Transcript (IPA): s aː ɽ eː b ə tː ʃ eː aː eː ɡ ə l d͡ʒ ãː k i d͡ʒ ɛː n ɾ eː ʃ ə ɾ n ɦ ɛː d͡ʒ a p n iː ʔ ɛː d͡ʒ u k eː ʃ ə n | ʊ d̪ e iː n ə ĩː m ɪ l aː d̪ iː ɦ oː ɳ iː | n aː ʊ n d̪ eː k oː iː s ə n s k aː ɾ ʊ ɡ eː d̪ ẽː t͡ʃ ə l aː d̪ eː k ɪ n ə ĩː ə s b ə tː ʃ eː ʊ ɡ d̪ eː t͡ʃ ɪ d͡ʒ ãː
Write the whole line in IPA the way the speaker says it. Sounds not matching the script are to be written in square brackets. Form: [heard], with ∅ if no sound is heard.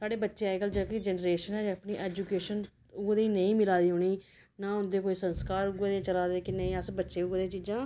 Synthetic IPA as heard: s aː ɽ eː b ə tː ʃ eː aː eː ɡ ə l d͡ʒ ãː k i d͡ʒ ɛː n ɾ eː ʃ ə [∅] n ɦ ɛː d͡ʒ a p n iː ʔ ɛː d͡ʒ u k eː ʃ ə n | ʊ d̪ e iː n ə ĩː m ɪ l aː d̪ iː ɦ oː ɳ iː | n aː ʊ n d̪ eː k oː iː s ə n s k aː ɾ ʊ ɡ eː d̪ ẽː t͡ʃ ə l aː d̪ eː k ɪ n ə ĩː ə s b ə tː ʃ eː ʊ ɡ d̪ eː t͡ʃ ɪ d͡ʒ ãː